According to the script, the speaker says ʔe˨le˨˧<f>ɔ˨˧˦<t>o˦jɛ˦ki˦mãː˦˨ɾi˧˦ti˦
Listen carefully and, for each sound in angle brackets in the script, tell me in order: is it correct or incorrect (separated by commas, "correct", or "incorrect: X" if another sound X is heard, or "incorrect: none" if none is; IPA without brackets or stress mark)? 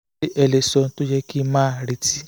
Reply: incorrect: s, correct